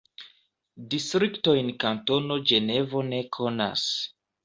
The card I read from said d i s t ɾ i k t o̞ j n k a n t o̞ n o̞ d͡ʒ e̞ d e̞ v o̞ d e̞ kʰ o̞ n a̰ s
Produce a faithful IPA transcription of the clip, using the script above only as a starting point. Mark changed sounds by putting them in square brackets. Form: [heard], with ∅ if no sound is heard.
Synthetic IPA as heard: d i s t ɾ i k t o̞ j n k a n t o̞ n o̞ d͡ʒ e̞ [n] e̞ v o̞ [n] e̞ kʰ o̞ n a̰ s

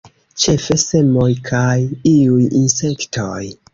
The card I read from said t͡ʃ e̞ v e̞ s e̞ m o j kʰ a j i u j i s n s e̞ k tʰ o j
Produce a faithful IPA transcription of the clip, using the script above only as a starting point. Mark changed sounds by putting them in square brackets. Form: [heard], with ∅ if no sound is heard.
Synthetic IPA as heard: t͡ʃ e̞ [f] e̞ s e̞ m o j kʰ a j i u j i [∅] n s e̞ k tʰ o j

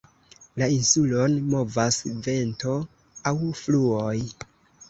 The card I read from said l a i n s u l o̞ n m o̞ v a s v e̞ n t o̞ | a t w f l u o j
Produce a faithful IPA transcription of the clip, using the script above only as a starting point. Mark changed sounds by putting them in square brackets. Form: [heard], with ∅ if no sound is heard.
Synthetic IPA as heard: l a i n s u l o̞ n m o̞ v a s v e̞ n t o̞ | a [∅] w f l u o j

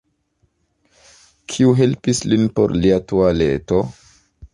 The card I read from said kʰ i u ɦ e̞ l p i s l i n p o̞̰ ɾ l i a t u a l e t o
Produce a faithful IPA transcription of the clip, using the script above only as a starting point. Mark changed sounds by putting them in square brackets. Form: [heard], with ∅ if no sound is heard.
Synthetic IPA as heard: kʰ i u ɦ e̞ l p i s l i n p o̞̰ ɾ l i a t u a l e t o

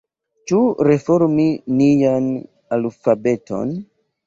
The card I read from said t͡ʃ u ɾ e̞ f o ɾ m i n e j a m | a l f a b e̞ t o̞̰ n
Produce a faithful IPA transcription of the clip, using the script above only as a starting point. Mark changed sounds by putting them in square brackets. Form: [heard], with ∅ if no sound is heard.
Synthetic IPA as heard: t͡ʃ u ɾ e̞ f o ɾ m i n [i] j a [n] | a l f a b e̞ t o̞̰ n

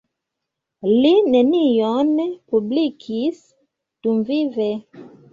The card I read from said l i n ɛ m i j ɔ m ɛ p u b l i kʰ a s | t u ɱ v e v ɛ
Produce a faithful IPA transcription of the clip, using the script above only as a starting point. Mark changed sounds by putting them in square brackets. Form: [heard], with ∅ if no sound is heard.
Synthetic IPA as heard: l i n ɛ [n] i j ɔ [n] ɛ p u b l i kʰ [i] s | t u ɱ v [i] v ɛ

